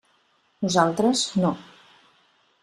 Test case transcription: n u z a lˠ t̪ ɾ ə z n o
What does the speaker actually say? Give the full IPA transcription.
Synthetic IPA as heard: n u z a lˠ t̪ ɾ ə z n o